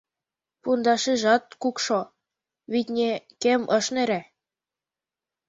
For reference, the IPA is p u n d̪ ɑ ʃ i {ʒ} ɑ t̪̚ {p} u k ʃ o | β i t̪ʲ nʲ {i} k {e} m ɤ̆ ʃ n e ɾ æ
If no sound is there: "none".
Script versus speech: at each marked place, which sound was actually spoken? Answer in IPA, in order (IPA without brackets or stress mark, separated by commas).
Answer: ʒ, k, e, e